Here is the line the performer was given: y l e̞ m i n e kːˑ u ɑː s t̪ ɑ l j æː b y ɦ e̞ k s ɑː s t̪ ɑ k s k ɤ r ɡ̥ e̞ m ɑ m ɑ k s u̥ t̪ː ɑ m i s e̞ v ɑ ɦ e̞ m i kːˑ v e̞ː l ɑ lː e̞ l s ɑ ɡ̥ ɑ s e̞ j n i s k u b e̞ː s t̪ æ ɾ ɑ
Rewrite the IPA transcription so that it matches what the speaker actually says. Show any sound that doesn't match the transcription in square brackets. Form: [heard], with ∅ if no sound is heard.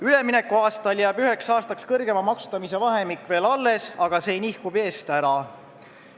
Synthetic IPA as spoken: y l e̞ m i n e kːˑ u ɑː s t̪ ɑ l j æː b y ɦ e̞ k s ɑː s t̪ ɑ k s k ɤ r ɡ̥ e̞ m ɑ m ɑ k s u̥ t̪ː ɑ m i s e̞ v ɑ ɦ e̞ m i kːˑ v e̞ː l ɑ lː e̞ [∅] s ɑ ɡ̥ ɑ s e̞ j n i [h] k u b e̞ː s t̪ æ ɾ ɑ